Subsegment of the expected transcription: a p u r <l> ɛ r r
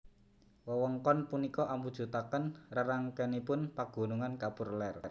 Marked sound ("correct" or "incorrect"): correct